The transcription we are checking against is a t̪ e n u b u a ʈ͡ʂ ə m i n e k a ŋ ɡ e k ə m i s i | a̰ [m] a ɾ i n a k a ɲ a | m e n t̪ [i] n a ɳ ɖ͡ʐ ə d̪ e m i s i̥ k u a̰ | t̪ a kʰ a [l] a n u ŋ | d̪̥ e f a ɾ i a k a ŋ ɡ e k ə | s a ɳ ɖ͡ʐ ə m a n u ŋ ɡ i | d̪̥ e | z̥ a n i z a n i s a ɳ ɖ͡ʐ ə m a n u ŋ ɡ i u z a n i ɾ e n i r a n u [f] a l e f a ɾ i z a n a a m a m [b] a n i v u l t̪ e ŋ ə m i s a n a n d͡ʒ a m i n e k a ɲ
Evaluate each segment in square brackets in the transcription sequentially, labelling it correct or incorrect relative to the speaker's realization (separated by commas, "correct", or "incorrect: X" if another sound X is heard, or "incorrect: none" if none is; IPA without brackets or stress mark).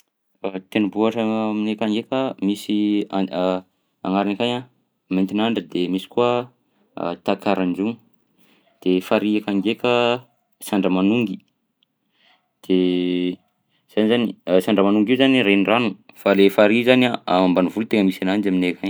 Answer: incorrect: ŋ, correct, incorrect: ɾ, correct, correct